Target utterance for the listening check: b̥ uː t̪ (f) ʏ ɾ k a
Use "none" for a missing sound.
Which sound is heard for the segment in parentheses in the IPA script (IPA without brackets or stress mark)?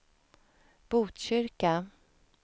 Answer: ɕ